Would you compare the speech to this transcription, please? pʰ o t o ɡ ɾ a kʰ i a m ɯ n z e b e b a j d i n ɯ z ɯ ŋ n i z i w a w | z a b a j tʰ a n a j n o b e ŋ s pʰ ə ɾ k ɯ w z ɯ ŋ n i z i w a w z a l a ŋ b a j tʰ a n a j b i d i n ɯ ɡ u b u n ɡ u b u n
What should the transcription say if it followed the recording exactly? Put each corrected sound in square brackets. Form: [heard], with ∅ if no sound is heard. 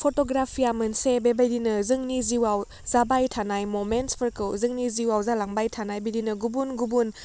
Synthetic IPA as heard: pʰ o t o ɡ ɾ a [pʰ] i a m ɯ n [s] e b e b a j d i n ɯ z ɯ ŋ n i z i w a w | z a b a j tʰ a n a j [m] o [m] e [n] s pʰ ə ɾ k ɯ w z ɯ ŋ n i z i w a w z a l a ŋ b a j tʰ a n a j b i d i n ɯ ɡ u b u n ɡ u b u n